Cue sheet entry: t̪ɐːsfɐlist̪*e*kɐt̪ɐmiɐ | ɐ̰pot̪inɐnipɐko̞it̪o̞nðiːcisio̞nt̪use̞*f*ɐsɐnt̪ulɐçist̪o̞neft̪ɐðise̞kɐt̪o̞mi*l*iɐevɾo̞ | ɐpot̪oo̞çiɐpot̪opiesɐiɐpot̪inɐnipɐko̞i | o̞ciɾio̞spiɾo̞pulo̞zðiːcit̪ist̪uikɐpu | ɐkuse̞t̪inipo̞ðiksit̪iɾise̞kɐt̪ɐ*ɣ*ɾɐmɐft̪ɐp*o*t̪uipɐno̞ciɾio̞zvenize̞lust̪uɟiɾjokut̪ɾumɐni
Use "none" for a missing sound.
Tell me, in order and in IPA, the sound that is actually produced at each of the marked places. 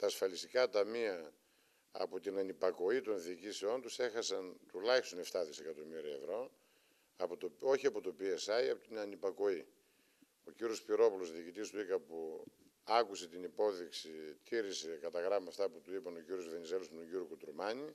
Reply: i, x, ɾ, ɣ, u

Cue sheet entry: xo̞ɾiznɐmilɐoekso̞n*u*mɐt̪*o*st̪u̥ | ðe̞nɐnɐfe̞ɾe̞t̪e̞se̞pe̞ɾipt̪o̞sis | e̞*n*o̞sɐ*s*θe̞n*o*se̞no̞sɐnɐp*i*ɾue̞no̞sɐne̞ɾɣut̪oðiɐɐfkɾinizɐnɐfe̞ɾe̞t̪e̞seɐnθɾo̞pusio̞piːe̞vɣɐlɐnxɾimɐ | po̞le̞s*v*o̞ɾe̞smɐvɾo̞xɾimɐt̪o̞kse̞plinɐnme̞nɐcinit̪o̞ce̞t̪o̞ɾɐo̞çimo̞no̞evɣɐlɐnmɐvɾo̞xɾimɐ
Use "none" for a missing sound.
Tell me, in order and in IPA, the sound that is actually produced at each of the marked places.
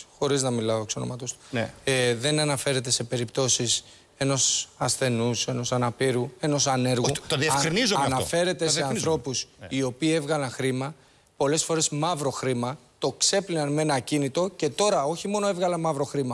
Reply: o, o, n, s, u, i, f

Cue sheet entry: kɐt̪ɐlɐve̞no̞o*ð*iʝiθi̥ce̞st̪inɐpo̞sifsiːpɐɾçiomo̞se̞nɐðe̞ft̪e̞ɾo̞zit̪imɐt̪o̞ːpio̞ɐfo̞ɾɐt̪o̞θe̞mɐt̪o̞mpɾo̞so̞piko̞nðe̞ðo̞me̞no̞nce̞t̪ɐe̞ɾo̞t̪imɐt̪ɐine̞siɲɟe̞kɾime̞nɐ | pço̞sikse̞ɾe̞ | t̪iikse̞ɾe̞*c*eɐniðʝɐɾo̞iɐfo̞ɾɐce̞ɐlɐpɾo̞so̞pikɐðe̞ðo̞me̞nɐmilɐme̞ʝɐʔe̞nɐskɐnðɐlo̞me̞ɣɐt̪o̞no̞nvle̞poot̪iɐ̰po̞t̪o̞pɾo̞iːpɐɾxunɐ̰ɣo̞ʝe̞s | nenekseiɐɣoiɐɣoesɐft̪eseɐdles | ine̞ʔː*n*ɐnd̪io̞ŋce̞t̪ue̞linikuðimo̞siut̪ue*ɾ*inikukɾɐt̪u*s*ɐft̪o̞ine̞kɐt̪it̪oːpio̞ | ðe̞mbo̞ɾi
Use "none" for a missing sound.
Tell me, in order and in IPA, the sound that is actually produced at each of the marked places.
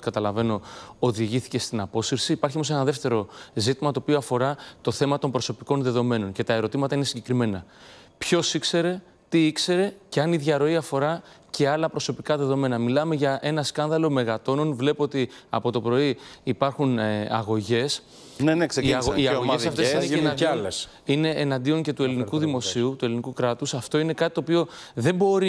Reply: ð, c, n, l, s

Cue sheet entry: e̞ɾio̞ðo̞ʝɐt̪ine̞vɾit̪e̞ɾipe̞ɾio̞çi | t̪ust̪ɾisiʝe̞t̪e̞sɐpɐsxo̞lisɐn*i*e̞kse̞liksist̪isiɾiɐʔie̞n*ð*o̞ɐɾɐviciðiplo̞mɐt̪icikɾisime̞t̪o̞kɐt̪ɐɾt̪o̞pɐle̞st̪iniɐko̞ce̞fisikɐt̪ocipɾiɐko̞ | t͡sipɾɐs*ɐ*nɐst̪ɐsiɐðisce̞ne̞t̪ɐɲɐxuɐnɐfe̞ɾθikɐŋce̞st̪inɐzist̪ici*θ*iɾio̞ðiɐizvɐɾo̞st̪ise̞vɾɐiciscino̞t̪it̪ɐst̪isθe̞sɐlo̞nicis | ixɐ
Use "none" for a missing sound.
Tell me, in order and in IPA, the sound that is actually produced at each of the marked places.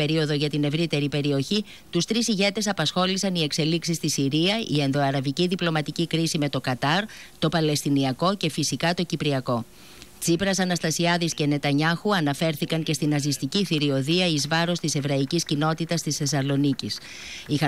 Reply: i, ð, ɐ, θ

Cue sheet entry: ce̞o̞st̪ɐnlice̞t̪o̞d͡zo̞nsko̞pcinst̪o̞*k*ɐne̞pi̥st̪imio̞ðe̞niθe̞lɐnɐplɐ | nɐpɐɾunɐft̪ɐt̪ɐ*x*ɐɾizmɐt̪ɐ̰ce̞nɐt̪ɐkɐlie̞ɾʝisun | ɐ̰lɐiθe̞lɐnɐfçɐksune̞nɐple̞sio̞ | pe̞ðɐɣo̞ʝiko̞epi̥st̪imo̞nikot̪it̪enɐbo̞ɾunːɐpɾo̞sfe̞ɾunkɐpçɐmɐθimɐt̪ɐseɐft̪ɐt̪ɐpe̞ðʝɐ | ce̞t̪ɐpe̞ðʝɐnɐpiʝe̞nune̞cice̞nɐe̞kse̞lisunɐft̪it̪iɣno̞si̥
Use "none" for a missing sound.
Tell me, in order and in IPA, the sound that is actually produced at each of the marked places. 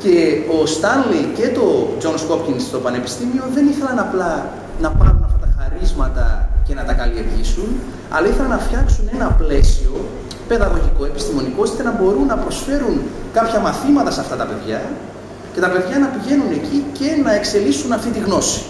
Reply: p, x

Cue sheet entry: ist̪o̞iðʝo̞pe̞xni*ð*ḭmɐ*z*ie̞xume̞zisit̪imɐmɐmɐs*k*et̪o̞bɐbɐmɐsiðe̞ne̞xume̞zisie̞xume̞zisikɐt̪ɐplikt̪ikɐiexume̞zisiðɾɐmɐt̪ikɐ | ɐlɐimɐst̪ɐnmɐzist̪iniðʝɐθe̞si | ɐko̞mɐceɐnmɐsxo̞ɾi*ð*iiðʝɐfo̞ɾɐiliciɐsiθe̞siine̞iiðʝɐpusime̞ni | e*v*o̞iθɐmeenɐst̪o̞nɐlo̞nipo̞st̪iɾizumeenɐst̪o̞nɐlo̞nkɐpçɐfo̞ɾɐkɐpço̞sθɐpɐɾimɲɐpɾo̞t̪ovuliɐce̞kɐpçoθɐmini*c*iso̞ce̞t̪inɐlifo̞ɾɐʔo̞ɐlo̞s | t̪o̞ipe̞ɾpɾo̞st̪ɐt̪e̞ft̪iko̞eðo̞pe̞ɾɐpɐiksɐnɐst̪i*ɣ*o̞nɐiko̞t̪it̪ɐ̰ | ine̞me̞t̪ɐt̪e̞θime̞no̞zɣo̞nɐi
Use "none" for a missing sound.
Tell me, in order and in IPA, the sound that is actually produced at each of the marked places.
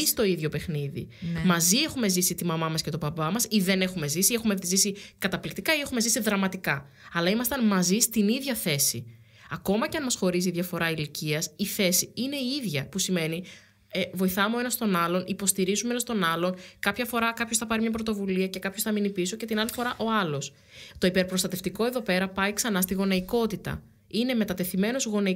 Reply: ð, z, c, z, v, p, ɣ

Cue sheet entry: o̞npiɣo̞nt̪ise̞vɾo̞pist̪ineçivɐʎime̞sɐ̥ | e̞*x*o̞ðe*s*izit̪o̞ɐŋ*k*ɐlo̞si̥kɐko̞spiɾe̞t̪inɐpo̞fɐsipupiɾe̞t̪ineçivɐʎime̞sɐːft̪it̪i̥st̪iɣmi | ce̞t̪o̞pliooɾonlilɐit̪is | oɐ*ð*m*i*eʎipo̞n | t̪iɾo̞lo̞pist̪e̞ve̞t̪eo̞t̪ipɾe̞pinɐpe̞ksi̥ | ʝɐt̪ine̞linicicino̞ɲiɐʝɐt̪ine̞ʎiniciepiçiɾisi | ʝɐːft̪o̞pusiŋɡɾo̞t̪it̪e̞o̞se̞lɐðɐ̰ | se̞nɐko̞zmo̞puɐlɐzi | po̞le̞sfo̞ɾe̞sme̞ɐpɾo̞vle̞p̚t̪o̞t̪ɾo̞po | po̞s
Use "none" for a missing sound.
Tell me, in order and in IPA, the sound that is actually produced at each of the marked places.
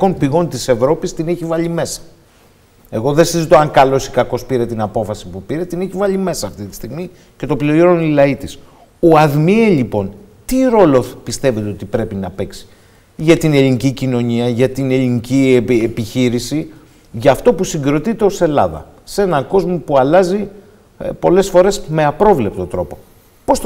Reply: ɣ, s, k, ð, i

